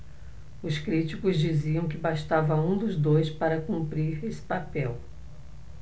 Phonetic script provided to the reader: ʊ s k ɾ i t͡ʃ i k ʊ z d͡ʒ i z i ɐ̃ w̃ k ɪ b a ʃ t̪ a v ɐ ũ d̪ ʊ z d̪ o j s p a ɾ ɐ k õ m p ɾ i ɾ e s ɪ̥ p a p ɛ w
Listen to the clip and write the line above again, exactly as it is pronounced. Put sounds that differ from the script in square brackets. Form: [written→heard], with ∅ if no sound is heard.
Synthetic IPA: ʊ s k ɾ i t͡ʃ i k ʊ z d͡ʒ i z i ɐ̃ w̃ k ɪ b a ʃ t̪ a v ɐ ũ d̪ ʊ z d̪ o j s p a ɾ ɐ k [õ→ũ] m p ɾ i ɾ e s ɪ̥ p a p ɛ w